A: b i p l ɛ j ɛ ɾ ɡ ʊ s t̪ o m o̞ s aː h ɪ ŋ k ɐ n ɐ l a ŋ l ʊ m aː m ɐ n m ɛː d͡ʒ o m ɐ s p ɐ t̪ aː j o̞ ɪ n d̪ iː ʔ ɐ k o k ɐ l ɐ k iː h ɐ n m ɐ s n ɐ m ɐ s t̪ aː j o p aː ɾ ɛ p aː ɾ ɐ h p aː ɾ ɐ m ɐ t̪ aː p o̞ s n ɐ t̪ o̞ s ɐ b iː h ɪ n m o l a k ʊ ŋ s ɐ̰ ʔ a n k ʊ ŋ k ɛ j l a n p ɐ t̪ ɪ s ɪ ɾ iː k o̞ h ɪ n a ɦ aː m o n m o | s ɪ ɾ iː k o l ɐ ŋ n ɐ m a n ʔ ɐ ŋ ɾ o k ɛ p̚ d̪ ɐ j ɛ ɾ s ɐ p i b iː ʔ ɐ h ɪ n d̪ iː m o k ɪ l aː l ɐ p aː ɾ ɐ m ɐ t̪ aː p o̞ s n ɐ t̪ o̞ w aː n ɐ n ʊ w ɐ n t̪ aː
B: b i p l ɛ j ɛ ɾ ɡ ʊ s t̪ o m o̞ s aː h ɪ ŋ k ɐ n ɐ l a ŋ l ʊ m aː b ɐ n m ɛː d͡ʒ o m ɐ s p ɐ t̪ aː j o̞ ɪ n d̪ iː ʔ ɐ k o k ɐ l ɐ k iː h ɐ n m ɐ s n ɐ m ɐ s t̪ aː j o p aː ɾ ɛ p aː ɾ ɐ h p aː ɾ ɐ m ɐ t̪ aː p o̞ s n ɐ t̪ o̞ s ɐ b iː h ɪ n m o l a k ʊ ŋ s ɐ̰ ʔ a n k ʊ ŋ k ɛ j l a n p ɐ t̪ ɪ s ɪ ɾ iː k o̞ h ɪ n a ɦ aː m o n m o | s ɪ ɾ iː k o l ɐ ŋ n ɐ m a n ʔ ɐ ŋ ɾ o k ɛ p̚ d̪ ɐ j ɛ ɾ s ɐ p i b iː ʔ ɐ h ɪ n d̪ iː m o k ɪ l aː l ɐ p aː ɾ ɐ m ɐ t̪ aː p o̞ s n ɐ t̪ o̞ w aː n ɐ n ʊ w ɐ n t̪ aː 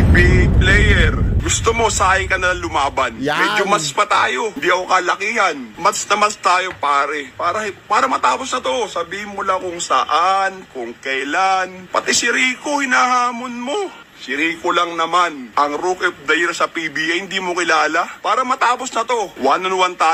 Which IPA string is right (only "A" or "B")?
B